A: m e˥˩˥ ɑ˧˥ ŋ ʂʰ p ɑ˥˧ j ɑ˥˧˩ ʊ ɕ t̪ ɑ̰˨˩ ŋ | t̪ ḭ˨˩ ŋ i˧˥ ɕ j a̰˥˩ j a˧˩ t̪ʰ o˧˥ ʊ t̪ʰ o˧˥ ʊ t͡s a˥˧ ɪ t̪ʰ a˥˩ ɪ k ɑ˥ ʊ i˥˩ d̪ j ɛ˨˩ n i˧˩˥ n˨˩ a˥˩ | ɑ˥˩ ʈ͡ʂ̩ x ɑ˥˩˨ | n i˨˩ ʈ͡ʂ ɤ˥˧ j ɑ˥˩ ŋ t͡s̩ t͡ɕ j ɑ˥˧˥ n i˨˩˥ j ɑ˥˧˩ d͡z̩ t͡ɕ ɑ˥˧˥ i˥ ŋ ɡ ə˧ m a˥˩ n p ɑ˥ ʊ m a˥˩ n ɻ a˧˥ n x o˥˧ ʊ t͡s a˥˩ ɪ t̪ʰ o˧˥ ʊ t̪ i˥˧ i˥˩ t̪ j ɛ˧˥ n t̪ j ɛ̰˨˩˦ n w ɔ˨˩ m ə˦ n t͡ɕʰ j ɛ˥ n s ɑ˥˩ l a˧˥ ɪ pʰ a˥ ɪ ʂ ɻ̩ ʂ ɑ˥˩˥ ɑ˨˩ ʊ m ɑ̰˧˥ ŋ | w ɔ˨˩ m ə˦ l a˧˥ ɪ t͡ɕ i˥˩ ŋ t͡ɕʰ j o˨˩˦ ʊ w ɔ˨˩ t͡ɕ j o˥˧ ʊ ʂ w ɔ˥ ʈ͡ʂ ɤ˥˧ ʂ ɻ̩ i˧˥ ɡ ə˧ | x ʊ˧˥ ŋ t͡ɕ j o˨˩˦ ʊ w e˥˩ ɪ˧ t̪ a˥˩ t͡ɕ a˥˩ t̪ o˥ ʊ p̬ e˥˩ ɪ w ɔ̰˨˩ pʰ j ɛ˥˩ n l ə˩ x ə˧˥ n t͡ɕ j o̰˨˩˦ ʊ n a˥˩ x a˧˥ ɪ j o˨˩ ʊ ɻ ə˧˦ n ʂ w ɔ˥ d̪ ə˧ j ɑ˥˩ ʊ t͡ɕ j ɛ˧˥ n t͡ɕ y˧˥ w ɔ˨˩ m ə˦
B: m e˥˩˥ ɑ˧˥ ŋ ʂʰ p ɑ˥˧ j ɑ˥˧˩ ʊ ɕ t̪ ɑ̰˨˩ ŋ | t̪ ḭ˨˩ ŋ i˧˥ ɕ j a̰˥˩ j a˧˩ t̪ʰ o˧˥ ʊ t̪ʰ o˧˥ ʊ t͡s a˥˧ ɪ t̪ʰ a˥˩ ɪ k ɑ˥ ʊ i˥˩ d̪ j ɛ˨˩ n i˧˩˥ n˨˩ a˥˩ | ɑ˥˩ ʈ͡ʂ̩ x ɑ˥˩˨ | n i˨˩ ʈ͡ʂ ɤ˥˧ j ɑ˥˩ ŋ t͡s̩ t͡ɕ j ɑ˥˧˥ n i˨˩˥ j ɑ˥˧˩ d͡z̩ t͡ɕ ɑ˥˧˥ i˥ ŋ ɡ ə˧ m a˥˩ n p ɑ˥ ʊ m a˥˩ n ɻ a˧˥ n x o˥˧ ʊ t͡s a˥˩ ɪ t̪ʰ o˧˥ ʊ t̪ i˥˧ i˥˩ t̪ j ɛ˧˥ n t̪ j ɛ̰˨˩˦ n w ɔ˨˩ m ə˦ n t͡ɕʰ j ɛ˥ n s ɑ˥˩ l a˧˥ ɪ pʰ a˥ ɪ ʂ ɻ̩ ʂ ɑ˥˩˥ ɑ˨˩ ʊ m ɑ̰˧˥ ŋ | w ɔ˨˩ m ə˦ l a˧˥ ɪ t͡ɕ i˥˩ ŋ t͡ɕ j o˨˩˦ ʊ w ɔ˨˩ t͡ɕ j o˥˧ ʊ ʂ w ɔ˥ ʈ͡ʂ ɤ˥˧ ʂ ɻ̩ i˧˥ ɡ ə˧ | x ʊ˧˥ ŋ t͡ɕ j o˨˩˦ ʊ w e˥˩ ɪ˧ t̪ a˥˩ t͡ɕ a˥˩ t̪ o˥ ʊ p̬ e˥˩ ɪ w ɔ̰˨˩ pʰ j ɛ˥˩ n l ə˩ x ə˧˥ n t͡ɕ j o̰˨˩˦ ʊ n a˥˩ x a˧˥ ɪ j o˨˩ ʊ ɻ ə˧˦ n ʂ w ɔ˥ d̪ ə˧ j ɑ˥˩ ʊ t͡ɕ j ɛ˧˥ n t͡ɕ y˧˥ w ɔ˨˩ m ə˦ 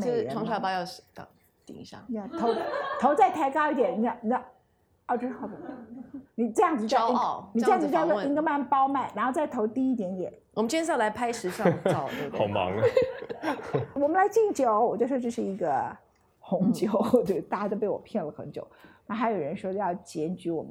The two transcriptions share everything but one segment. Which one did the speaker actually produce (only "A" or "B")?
B